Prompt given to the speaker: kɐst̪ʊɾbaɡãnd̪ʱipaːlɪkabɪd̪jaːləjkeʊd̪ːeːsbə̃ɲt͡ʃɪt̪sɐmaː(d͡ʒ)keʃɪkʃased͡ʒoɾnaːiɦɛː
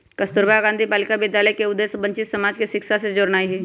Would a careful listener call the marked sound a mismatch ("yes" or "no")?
no